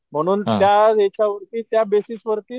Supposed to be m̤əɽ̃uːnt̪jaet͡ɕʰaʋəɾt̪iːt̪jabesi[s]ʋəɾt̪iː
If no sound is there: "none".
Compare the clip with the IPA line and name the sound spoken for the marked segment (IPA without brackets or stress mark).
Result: s